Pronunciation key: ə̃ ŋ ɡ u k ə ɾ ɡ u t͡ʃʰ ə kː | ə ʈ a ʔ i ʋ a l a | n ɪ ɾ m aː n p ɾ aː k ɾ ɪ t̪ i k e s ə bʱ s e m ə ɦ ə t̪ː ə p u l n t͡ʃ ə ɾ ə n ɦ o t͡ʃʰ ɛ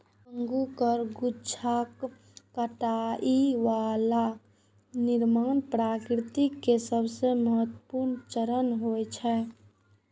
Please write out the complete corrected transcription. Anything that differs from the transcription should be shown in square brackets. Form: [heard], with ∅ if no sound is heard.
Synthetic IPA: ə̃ ŋ ɡ u k ə ɾ ɡ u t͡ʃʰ [a] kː | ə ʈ a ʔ i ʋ a l a | n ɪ ɾ m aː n p ɾ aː k ɾ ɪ t̪ i k e s ə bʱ s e m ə ɦ ə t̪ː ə p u [ɾ] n t͡ʃ ə ɾ ə n ɦ o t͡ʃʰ ɛ